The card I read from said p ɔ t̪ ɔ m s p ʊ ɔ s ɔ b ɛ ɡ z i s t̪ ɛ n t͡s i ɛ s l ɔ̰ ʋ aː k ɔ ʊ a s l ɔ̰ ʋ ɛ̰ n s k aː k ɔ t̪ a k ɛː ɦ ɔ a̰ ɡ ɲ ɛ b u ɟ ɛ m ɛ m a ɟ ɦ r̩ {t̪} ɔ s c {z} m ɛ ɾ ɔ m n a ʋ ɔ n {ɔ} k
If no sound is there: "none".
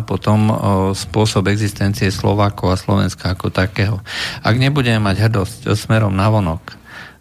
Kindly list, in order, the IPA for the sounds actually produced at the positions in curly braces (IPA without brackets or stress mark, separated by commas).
d̪, s, ɔ